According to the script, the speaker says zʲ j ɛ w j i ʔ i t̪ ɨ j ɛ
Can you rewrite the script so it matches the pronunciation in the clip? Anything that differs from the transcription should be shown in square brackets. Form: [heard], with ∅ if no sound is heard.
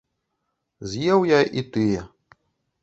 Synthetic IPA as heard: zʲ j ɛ w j [a] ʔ i t̪ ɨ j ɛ